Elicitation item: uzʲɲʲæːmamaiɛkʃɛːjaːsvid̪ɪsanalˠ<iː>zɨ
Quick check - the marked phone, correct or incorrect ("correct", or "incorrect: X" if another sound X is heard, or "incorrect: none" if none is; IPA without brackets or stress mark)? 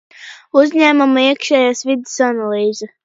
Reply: correct